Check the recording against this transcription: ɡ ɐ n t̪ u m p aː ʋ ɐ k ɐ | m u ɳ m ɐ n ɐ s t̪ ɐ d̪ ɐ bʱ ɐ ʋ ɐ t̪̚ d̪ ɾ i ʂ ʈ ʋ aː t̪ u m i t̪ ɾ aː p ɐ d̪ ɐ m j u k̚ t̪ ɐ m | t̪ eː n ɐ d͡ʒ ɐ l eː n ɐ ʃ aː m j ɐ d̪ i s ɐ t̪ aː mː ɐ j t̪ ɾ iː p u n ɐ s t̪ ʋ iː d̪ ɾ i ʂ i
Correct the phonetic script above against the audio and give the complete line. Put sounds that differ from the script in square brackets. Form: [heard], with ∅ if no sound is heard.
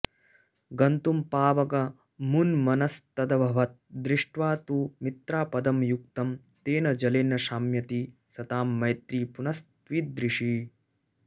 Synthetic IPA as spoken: ɡ ɐ n t̪ u m p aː ʋ ɐ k ɐ | m u [n] m ɐ n ɐ s t̪ ɐ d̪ ɐ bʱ ɐ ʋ ɐ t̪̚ d̪ ɾ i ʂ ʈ ʋ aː t̪ u m i t̪ ɾ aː p ɐ d̪ ɐ m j u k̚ t̪ ɐ m | t̪ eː n ɐ d͡ʒ ɐ l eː n ɐ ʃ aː m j ɐ [t̪] i s ɐ t̪ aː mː ɐ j t̪ ɾ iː p u n ɐ s t̪ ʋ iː d̪ ɾ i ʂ i